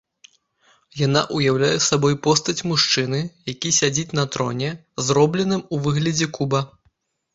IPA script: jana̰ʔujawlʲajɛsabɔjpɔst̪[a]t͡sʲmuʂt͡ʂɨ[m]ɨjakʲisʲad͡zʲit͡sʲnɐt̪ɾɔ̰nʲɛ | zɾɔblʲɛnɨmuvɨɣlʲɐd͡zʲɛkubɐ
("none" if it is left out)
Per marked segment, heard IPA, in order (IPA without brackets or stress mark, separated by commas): ɐ, n